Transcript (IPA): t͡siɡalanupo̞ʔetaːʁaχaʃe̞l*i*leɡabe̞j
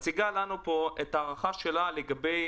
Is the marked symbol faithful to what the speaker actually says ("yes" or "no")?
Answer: no